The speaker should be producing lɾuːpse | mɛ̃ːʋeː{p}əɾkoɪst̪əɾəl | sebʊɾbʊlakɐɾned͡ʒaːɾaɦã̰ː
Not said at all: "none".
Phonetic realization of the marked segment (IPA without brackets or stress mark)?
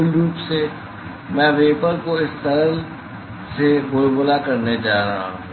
p